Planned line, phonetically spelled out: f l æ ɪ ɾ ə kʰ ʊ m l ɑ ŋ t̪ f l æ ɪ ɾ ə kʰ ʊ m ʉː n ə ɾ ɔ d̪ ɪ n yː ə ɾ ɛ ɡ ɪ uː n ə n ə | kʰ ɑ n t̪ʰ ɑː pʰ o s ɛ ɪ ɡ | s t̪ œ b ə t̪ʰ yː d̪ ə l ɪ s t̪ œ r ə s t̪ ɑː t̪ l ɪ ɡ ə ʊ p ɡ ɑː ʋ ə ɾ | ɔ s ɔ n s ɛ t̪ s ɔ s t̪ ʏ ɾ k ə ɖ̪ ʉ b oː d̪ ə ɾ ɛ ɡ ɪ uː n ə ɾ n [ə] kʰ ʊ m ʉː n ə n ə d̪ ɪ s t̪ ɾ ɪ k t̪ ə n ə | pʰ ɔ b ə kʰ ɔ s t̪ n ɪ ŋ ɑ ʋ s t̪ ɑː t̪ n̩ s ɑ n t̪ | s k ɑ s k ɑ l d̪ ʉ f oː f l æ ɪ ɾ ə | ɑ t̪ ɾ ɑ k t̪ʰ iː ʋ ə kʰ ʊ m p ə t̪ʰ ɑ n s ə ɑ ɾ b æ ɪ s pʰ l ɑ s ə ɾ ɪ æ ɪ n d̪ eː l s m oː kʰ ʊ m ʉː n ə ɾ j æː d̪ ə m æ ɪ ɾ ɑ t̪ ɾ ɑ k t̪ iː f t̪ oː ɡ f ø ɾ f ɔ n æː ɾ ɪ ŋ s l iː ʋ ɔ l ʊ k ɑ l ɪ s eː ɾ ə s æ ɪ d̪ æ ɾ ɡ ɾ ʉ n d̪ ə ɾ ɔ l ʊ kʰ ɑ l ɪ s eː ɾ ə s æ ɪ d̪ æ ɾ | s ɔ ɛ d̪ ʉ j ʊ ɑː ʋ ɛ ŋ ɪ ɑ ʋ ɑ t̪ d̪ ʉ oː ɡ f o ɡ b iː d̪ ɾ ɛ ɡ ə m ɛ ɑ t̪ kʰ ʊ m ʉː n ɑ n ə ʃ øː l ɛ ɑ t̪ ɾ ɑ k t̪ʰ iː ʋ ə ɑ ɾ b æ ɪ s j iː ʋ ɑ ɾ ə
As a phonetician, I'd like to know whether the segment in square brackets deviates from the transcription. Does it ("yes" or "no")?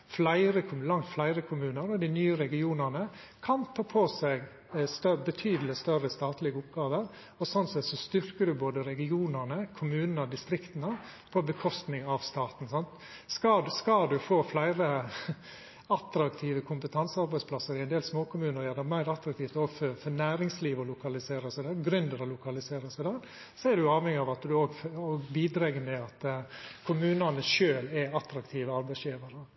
no